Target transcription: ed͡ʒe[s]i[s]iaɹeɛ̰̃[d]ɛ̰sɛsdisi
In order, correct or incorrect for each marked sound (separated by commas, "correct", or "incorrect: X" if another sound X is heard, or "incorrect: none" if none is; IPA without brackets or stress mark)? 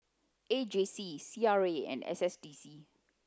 correct, correct, incorrect: n